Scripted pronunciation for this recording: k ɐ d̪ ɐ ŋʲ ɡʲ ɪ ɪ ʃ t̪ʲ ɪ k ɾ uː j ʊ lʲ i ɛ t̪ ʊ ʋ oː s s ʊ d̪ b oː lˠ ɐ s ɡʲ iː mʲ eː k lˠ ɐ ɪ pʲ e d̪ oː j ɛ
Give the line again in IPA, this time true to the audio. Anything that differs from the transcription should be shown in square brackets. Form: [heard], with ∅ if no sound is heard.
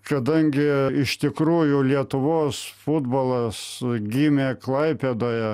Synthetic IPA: k ɐ d̪ ɐ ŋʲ ɡʲ ɪ ɪ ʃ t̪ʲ ɪ k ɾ uː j ʊ lʲ i ɛ t̪ ʊ ʋ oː s [f] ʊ d̪ b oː lˠ ɐ s ɡʲ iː mʲ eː k lˠ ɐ ɪ pʲ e d̪ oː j ɛ